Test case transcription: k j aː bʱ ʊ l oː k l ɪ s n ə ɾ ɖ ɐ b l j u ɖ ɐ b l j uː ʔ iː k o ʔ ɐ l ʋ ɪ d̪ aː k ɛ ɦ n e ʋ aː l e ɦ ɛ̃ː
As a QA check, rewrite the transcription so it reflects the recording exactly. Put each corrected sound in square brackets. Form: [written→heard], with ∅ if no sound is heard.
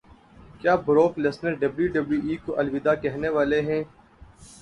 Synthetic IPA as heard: k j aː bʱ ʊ [l→ɾ] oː k l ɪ s n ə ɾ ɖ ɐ b l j u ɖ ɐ b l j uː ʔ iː k o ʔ ɐ l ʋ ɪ d̪ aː k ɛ ɦ n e ʋ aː l e ɦ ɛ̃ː